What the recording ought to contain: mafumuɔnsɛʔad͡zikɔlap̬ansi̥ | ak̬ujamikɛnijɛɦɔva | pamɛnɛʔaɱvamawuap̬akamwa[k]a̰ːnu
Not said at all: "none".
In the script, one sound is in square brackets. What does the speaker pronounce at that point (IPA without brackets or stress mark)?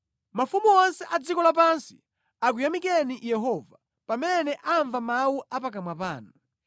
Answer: p